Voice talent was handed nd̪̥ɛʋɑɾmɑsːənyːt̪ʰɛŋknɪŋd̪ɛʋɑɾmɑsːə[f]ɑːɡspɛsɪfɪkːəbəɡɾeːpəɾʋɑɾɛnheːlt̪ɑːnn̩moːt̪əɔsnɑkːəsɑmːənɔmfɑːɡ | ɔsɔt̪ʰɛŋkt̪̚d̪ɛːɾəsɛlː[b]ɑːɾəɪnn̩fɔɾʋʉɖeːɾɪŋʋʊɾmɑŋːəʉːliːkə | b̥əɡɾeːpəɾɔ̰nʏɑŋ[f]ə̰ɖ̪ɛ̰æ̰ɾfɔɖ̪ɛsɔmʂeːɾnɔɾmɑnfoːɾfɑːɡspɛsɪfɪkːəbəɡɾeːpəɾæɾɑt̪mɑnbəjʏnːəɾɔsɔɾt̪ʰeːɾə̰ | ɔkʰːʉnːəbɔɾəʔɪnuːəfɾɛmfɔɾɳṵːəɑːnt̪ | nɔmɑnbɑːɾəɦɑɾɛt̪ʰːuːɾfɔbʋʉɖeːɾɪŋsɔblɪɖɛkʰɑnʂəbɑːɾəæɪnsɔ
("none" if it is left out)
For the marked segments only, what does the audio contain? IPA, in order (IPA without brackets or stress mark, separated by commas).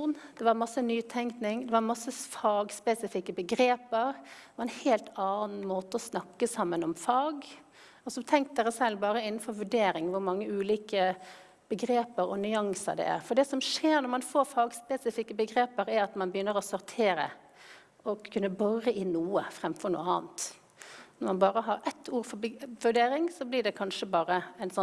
f, b, s